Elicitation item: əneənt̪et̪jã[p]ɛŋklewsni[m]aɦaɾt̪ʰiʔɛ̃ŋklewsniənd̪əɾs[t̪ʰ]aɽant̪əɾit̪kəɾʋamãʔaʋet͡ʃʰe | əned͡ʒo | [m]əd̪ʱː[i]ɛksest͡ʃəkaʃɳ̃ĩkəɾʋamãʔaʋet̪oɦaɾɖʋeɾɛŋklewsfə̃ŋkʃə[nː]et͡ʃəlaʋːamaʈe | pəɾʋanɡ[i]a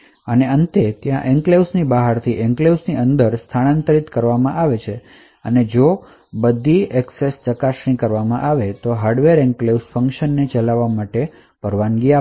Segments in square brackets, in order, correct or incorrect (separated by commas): incorrect, incorrect, correct, incorrect, correct, correct, correct